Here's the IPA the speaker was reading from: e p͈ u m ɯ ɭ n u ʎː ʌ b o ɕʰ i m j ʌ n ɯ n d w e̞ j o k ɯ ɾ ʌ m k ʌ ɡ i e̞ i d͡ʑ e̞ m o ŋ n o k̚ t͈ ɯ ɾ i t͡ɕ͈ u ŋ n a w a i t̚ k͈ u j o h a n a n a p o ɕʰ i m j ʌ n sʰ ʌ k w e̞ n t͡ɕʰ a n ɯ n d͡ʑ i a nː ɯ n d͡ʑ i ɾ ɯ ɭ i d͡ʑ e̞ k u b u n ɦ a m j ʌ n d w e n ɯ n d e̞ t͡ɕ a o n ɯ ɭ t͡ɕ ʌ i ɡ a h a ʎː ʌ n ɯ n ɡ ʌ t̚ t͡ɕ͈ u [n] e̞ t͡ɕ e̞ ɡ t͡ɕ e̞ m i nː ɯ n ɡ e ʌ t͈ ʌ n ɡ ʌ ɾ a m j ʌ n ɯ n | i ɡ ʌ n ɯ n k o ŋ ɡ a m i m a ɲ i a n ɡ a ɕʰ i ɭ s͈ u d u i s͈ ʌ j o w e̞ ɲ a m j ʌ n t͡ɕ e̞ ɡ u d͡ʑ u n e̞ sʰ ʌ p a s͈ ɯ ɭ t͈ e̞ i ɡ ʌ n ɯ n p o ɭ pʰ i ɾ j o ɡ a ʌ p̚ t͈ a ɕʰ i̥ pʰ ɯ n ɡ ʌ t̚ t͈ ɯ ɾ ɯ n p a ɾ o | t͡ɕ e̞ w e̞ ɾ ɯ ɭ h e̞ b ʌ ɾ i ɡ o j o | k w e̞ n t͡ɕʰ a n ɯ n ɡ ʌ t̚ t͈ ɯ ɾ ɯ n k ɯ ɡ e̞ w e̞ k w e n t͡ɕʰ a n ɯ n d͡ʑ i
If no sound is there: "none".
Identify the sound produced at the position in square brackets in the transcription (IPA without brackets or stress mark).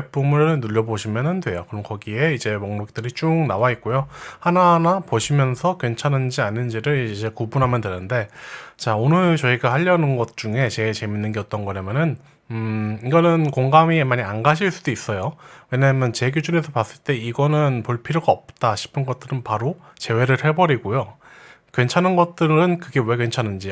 ŋ